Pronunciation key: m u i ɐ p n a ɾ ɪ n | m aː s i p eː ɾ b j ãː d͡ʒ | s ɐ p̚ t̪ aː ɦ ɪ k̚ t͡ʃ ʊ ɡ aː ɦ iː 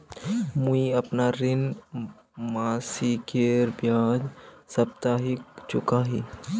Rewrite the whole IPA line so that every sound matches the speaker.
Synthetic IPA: m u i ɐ p n a ɾ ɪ n | m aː s i k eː ɾ b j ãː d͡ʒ | s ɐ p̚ t̪ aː ɦ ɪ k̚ t͡ʃ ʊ k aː ɦ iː